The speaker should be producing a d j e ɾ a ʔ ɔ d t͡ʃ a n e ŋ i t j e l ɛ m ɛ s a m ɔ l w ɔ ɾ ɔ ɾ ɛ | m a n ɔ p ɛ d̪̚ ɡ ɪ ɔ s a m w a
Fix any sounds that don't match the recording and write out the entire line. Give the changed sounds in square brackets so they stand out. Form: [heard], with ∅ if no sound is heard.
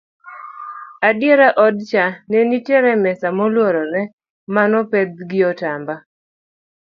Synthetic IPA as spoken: a d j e ɾ a ʔ ɔ d t͡ʃ a n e [n] i t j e [ɾ] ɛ m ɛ s a m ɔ l w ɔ ɾ ɔ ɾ ɛ | m a n ɔ p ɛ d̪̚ ɡ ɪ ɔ [t] a m [b] a